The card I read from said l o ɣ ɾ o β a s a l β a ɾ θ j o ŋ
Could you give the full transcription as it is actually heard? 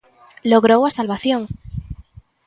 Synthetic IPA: l o ɣ ɾ o w a s a l β a θ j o ŋ